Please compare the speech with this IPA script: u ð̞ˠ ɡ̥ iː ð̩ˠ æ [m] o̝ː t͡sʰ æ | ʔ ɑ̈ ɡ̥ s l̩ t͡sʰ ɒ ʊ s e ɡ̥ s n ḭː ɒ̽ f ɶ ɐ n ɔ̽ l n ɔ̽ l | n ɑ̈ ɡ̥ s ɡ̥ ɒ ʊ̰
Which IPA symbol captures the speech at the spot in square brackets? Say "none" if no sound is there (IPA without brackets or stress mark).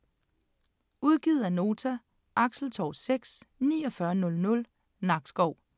n